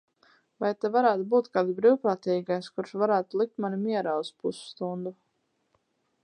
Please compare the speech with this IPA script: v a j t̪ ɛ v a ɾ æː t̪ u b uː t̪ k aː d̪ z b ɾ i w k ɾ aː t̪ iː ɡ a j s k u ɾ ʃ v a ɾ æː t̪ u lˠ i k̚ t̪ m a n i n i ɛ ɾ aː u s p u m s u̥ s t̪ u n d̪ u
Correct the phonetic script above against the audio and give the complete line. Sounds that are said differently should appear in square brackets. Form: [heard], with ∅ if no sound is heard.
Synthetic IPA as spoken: v a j t̪ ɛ v a ɾ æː t̪ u b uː t̪ k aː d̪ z b ɾ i w [p] ɾ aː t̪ iː ɡ a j s k u ɾ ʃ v a ɾ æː t̪ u lˠ i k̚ t̪ m a n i [m] i ɛ ɾ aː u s p u [∅] s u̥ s t̪ u n d̪ u